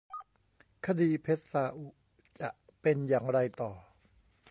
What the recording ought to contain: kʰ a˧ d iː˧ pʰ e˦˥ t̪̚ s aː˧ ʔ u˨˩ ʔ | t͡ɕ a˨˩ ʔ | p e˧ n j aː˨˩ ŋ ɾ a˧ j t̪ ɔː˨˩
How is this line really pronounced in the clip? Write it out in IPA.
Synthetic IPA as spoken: kʰ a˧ d iː˧ pʰ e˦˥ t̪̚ s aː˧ ʔ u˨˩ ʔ | t͡ɕ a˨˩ ʔ | p e˧ n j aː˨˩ ŋ ɾ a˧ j t̪ ɔː˨˩